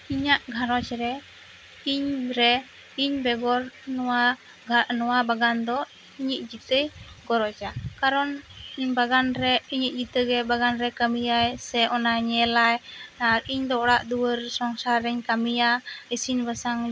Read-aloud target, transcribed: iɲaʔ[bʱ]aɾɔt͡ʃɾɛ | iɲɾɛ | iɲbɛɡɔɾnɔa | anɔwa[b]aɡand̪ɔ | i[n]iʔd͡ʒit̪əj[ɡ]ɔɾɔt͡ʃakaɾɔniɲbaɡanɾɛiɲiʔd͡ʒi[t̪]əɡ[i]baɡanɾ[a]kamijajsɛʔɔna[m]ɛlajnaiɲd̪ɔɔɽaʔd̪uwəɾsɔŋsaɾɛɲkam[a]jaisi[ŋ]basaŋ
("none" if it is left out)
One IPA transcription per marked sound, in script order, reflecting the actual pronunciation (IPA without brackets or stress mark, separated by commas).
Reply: ɡʱ, b, ɲ, ɡ, t̪, ɛ, ɛ, ɲ, i, n